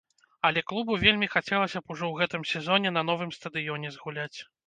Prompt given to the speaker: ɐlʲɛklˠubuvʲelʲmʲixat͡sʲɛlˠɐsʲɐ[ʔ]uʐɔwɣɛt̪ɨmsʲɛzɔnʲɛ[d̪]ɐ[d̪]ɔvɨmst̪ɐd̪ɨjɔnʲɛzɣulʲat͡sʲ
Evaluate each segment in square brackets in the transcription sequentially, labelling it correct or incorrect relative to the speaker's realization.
incorrect, incorrect, incorrect

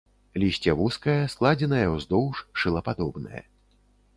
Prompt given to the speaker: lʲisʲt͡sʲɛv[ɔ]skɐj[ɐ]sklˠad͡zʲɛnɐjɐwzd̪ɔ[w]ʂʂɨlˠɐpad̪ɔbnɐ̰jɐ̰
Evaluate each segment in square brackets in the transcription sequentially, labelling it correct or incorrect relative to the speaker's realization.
incorrect, correct, correct

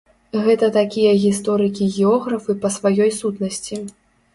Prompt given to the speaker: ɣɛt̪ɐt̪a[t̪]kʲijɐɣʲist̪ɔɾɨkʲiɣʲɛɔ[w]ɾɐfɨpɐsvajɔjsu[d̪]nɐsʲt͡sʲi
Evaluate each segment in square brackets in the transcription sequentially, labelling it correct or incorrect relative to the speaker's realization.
incorrect, incorrect, incorrect

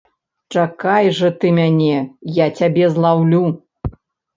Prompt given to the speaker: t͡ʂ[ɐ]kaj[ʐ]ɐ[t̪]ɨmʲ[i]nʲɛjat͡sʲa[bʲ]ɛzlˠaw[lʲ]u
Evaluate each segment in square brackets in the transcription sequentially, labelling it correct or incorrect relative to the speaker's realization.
incorrect, correct, correct, incorrect, correct, correct

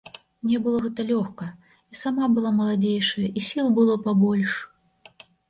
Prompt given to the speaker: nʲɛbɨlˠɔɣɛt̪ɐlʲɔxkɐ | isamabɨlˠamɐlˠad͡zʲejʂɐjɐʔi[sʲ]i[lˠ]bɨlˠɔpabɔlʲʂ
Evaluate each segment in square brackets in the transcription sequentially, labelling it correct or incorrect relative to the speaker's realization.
correct, correct

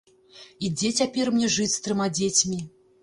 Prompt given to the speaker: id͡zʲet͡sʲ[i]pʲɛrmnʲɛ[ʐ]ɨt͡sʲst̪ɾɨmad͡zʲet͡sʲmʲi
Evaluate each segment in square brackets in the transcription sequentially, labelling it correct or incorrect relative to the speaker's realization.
incorrect, correct

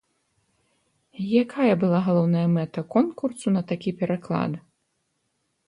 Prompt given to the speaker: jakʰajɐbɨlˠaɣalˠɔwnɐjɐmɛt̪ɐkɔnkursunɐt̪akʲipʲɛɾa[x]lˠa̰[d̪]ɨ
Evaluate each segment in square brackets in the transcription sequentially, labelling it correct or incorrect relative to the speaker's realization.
incorrect, correct

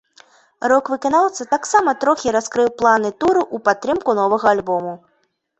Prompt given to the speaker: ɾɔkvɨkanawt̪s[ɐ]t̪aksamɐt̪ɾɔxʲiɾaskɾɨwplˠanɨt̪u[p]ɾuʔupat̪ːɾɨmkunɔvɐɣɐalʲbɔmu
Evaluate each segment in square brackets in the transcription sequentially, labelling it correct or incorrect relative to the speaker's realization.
correct, incorrect

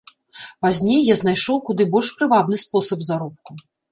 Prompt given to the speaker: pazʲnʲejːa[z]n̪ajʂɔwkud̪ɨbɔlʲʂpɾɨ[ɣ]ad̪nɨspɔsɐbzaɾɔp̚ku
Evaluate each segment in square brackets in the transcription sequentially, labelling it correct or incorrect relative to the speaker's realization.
correct, incorrect

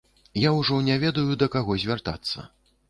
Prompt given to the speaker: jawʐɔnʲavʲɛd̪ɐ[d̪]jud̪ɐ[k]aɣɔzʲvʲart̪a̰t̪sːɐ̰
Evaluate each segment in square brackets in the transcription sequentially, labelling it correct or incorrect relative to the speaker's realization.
incorrect, correct

